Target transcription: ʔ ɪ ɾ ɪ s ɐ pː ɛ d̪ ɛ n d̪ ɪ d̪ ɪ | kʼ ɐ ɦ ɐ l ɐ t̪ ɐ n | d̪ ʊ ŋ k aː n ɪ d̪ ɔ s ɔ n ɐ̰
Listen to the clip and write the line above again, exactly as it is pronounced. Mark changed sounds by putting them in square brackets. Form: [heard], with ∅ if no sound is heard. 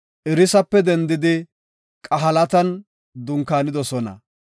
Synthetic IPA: ʔ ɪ ɾ ɪ s ɐ pː ɛ d̪ ɛ n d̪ ɪ d̪ ɪ | kʼ ɐ ɦ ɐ l ɐ t̪ ɐ n | d̪ ʊ ŋ k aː n ɪ d̪ ɔ s ɔ n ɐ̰